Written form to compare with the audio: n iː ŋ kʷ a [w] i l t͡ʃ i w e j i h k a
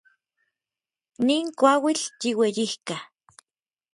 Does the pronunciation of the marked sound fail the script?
no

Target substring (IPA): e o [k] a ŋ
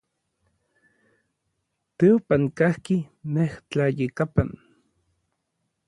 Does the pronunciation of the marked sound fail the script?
yes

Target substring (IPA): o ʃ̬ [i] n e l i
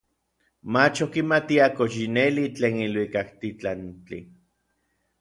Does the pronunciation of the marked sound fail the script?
no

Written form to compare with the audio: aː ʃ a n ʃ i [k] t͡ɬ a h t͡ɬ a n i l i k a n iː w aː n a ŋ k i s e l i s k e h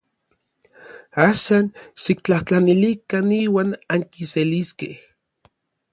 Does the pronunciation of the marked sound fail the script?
no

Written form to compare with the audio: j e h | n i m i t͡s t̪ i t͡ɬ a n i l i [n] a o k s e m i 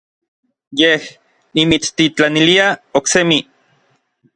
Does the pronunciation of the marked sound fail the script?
yes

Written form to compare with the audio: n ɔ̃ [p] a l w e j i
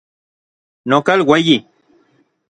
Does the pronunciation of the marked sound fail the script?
yes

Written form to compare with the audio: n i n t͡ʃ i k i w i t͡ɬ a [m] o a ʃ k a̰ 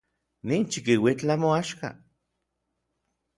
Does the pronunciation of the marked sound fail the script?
no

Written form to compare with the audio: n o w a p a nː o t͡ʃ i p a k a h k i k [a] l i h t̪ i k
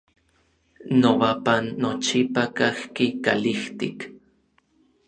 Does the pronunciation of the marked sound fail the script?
no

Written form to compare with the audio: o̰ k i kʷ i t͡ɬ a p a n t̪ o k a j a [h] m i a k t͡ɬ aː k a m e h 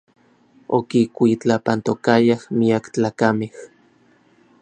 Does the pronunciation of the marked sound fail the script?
no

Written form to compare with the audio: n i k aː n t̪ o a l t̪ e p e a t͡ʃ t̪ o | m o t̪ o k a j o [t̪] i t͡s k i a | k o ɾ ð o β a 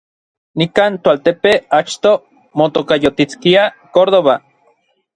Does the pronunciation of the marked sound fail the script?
no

